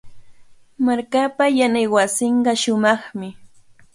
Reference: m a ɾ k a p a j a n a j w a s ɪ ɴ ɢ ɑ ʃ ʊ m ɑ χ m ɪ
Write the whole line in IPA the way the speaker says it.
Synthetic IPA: m a ɾ k a p a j a n a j w a s ɪ ɴ ɢ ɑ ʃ ʊ m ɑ χ m ɪ